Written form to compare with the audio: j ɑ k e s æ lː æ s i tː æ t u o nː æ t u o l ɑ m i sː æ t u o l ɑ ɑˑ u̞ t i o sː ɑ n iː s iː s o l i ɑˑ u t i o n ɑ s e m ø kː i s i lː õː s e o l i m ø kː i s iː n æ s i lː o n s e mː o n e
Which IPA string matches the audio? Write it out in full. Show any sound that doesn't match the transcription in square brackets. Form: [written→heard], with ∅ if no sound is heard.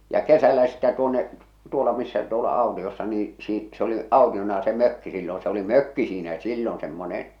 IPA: j ɑ k e s æ lː æ s i tː æ t u o nː [æ→e] t u o l ɑ m i sː æ t u o l ɑ ɑˑ u̞ t i o sː ɑ n iː s iː s o l i ɑˑ u t i o n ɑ s e m ø kː i s i lː õː s e o l i m ø kː i s iː n æ s i lː o n s e mː o n e